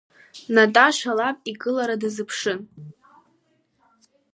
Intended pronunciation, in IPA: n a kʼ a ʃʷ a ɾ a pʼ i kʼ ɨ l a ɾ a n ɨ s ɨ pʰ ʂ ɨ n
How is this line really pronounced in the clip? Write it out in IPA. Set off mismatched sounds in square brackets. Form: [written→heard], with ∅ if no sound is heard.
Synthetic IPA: n a [kʼ→tʼ] a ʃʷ a [ɾ→l] a pʼ i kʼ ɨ l a ɾ a [n→d] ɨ [s→z] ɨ pʰ ʂ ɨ n